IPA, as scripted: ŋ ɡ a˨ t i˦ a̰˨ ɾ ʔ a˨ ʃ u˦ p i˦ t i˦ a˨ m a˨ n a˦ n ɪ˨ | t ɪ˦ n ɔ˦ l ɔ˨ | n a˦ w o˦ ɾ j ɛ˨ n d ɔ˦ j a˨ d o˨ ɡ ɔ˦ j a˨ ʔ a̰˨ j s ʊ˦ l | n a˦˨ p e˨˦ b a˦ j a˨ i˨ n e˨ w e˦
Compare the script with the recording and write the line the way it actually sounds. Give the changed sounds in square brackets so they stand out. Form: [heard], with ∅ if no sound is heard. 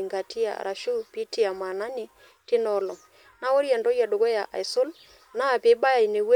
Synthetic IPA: ŋ ɡ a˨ t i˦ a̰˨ ɾ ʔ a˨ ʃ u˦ p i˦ t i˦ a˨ m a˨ n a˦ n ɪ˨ | t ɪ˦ n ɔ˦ l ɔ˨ | n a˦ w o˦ ɾ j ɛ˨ n d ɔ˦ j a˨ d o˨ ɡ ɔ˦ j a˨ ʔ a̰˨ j s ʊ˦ l | n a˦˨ p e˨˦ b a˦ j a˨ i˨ n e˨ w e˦